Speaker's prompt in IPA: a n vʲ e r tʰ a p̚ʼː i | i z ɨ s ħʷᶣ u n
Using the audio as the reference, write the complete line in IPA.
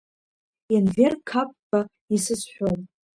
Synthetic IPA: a n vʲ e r kʰ a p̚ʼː a | i s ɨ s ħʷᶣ o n